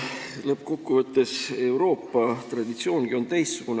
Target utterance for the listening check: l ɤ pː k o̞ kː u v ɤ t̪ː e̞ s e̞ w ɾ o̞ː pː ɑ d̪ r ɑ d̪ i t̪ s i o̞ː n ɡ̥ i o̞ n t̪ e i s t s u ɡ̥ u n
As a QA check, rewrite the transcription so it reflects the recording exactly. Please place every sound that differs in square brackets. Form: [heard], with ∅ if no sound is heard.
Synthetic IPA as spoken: l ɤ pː k o̞ kː u v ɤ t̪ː e̞ s e̞ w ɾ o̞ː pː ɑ [t̪] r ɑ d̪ i t̪ s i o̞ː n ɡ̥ i o̞ n t̪ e [j] s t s u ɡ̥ u n